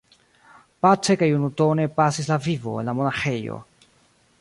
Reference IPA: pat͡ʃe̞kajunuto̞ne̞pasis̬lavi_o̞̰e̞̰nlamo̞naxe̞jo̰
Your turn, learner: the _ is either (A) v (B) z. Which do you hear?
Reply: A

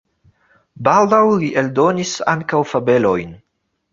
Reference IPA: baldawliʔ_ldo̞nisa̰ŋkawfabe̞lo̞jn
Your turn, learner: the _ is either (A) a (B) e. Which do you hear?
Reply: B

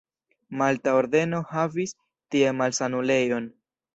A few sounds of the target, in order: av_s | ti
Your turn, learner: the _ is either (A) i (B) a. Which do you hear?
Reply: A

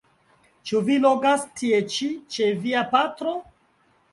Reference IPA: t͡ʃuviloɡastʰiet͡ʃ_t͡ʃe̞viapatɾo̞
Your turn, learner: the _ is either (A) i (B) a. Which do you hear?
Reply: A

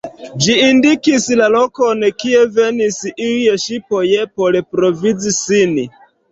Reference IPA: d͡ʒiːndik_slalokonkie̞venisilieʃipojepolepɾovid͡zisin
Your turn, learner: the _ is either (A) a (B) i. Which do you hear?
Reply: B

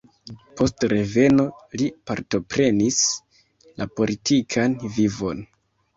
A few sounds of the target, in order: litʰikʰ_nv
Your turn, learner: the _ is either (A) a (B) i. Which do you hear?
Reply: A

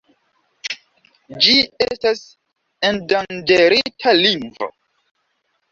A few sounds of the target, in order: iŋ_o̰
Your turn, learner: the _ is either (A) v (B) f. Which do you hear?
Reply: A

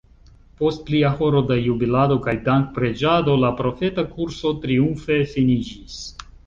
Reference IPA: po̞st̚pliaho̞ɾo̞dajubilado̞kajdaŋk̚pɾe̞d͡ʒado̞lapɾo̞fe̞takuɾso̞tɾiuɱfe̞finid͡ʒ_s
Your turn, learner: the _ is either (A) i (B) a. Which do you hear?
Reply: A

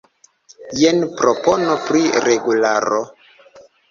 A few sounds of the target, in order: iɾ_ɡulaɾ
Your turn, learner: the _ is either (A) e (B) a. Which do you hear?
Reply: A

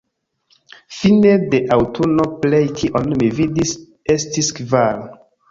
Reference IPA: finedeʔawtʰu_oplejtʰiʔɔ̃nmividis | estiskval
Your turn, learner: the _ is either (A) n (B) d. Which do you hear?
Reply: A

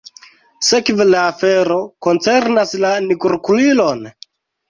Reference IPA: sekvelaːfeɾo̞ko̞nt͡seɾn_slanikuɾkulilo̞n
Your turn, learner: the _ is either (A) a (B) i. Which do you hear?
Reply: A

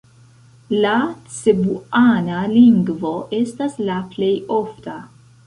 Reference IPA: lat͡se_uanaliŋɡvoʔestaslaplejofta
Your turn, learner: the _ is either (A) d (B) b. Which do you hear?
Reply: B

